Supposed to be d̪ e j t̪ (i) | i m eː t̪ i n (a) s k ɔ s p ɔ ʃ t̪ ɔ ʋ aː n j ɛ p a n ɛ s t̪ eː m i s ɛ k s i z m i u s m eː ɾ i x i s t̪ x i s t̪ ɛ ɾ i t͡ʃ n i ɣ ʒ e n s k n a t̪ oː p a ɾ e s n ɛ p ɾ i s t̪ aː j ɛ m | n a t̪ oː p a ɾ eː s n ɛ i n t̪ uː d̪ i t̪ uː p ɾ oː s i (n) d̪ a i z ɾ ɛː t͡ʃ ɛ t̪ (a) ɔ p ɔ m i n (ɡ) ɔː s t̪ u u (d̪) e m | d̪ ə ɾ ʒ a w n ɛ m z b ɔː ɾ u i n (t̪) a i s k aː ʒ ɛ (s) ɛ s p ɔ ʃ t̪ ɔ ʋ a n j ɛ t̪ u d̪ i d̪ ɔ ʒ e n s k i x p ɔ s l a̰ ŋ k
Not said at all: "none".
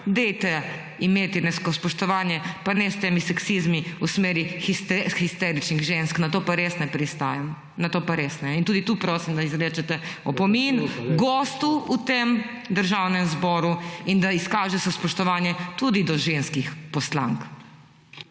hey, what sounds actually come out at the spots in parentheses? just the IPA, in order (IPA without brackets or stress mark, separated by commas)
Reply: ɛ, ɛ, m, ɛ, ɡ, t̪, d̪, s